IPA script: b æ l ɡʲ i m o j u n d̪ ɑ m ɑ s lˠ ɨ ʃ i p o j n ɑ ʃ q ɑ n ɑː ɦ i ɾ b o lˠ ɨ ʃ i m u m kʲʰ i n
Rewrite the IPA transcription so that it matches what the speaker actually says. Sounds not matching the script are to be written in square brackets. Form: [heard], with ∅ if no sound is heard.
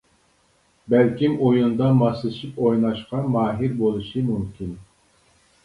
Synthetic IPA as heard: b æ l [kʲ] i m o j u n d̪ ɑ m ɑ s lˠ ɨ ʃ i p o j n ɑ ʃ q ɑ [m] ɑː ɦ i ɾ b o lˠ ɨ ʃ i m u m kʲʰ i n